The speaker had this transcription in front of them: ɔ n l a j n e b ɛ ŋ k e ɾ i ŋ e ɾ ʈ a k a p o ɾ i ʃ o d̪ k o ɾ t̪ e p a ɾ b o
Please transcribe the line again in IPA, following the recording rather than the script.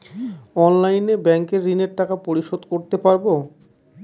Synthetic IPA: ɔ n l a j n e b ɛ ŋ k e ɾː i n e ɾ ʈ a k a p o ɾ i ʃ o d̪ k o ɾ t̪ e p a ɾ b o

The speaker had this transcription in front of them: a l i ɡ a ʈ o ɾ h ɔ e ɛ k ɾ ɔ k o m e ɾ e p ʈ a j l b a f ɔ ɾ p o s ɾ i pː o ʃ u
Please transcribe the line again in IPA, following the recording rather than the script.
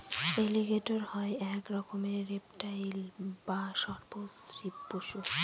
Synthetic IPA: e l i ɡ e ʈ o ɾ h ɔ e ɛ k ɾ ɔ k o m e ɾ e p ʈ a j l b a ʃ ɔ ɾ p o s ɾ i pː o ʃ u

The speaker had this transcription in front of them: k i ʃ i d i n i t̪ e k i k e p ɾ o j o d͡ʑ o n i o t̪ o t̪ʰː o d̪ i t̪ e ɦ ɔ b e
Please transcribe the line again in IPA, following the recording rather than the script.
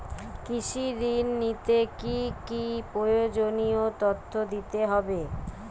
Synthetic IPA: k i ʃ i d i nː i t̪ e k i k i p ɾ o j o d͡ʑ o n i o t̪ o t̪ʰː o d̪ i t̪ e ɦ ɔ b e

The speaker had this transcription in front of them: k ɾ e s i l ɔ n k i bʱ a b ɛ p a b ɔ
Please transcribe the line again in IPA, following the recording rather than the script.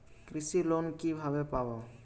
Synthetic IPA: k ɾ i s i l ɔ n k i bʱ a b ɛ p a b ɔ

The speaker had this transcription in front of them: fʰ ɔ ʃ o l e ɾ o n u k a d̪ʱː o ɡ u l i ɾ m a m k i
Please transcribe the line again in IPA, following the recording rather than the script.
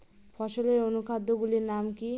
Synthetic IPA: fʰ ɔ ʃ o l e ɾ o n u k a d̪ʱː o ɡ u l i ɾ n a m k i

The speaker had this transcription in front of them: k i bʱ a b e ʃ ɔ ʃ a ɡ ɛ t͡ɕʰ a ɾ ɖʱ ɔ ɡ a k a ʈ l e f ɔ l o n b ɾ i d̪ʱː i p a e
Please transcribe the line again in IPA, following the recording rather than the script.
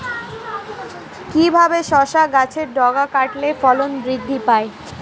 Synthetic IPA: k i bʱ a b e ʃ ɔ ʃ a ɡ a t͡ɕʰ e ɾ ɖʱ ɔ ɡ a k a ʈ l e f ɔ l o n b ɾ i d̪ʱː i p a e

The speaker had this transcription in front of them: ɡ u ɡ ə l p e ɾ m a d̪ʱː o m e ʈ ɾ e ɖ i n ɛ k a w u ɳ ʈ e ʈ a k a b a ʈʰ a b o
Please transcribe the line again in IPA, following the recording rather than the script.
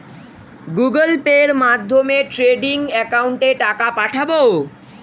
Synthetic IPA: ɡ u ɡ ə l p e ɾ m a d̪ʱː o m e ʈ ɾ e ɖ i ŋ ɛ k a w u ɳ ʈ e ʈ a k a p a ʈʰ a b o

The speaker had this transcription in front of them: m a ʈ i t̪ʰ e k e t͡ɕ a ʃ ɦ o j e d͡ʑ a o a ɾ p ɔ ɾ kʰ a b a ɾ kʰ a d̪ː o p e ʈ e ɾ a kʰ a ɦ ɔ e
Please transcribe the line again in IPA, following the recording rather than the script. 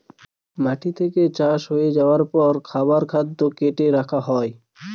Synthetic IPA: m a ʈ i t̪ʰ e k e t͡ɕ a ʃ ɦ o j e d͡ʑ a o a ɾ p ɔ ɾ kʰ a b a ɾ kʰ a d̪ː o k e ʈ e ɾ a kʰ a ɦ ɔ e

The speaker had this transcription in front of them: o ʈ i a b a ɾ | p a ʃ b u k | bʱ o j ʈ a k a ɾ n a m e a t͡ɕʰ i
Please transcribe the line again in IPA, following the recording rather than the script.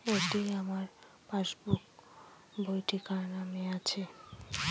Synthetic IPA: o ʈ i a m a ɾ | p a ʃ b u k | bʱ o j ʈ i k a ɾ n a m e a t͡ɕʰ e

